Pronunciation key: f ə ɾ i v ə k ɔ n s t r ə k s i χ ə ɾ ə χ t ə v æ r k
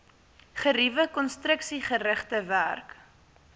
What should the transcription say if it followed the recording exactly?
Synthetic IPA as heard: χ ə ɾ i v ə k ɔ n s t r ə k s i χ ə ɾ ə χ t ə v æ r k